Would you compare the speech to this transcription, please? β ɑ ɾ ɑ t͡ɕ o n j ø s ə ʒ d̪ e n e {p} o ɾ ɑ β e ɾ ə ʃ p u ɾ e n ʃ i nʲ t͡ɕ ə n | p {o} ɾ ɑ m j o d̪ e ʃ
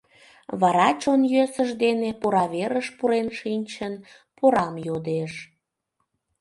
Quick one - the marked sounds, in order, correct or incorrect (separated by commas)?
correct, correct